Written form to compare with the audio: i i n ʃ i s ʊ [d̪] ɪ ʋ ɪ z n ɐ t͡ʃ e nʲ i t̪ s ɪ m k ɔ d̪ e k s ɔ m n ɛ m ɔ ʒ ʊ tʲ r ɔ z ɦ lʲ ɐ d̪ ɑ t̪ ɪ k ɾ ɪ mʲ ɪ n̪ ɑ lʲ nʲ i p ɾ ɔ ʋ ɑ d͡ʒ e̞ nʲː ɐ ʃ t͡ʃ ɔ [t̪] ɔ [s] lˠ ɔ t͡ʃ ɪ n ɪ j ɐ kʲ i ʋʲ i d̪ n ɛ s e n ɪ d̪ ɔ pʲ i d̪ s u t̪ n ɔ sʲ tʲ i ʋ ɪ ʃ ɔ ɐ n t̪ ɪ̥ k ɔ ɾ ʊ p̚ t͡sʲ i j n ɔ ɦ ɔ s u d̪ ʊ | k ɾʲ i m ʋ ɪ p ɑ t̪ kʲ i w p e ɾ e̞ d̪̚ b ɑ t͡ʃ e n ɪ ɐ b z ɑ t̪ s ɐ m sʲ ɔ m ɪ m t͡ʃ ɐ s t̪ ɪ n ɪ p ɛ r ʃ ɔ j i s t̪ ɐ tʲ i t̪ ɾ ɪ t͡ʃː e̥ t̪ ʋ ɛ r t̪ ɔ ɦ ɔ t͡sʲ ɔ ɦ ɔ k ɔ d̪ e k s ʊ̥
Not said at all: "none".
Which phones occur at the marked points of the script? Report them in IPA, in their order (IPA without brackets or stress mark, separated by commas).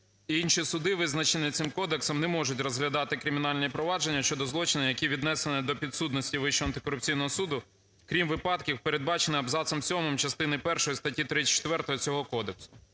d̪, d̪, z